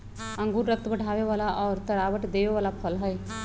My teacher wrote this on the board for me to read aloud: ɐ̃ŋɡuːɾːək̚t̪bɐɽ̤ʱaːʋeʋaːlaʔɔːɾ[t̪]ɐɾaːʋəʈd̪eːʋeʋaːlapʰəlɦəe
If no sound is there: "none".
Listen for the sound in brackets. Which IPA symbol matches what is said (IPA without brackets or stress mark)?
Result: t̪